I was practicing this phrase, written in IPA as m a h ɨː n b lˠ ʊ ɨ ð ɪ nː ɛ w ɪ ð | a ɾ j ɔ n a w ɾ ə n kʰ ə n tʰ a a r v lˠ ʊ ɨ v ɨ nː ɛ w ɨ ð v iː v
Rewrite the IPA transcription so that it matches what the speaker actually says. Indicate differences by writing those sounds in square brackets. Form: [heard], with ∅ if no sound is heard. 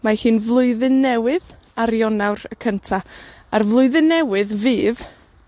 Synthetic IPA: m a h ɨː n [v] lˠ ʊ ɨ ð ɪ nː ɛ w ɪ ð | a ɾ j ɔ n a w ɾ ə [∅] kʰ ə n tʰ a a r v lˠ ʊ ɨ [ð] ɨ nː ɛ w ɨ ð v iː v